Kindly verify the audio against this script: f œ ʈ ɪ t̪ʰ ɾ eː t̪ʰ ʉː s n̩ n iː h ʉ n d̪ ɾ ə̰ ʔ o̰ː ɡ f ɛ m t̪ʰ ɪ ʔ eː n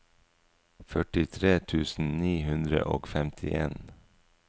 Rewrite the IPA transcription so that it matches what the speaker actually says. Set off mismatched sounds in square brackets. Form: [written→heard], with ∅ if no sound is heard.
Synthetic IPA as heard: f œ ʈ ɪ t̪ʰ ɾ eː t̪ʰ ʉː s n̩ n iː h ʉ n d̪ ɾ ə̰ ʔ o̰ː ɡ f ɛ m t̪ʰ ɪ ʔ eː n